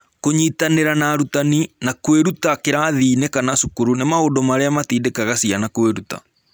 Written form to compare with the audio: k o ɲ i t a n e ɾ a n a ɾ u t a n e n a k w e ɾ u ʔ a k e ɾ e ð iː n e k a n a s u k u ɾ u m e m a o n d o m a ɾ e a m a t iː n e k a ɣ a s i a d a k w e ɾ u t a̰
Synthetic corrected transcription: k o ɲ i t a n e ɾ a n a ɾ u t a n i n a k w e ɾ u t a k e ɾ a ð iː n e k a n a s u k u ɾ u n e m a o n d o m a ɾ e a m a t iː d e k a ɣ a s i a n a k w e ɾ u t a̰